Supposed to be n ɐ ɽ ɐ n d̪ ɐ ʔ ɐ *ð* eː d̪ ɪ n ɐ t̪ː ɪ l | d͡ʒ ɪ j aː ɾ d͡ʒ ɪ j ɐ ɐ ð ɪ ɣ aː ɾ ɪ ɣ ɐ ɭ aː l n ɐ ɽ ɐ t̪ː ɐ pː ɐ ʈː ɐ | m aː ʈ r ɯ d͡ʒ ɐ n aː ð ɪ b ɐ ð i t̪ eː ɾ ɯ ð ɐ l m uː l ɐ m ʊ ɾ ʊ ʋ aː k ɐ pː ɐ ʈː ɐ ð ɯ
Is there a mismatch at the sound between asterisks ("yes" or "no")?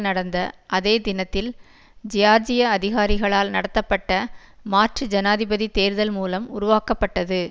no